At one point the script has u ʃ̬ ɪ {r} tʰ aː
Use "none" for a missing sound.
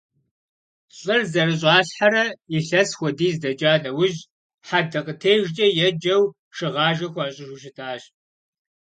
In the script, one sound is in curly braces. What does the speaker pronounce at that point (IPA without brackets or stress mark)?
none